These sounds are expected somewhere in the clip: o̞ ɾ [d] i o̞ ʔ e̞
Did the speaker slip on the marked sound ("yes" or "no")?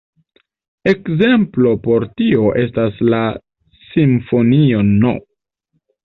yes